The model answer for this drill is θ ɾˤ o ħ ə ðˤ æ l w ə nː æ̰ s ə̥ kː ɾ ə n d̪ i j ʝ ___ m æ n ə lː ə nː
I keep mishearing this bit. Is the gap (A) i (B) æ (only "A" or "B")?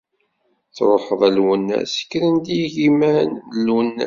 A